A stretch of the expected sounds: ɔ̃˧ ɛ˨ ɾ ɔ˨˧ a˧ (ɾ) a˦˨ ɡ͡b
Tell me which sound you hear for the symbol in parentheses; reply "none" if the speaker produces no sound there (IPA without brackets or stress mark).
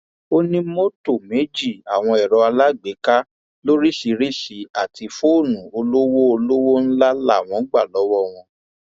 l